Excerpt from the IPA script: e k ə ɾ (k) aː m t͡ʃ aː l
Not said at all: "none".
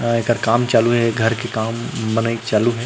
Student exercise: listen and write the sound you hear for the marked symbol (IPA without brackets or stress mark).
k